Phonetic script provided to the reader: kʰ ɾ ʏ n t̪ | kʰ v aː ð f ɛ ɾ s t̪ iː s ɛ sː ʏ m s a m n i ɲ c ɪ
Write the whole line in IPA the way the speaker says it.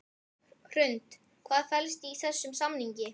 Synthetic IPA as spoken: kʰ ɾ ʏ n t̪ | kʰ v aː ð f ɛ l s t̪ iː θ ɛ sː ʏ m s a m n i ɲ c ɪ